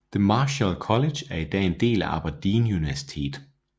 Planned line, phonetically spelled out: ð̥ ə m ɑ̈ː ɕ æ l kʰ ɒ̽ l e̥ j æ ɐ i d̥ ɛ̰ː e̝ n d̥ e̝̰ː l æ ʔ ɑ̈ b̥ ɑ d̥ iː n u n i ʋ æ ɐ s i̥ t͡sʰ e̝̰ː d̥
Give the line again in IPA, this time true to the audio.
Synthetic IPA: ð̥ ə m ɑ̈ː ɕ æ l kʰ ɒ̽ l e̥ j æ ɐ i d̥ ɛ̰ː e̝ n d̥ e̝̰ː l æ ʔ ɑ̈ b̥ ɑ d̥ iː n u n i ʋ æ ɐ s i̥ t͡sʰ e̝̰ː d̥